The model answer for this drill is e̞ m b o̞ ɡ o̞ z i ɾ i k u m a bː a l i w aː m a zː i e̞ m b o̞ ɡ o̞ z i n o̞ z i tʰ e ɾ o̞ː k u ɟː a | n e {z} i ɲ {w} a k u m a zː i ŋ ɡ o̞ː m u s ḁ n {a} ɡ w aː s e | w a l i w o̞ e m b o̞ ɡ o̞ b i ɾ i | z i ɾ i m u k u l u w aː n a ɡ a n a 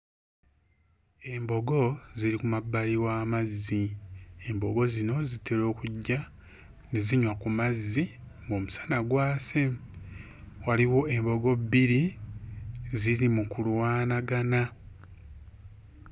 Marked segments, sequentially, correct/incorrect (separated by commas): correct, correct, correct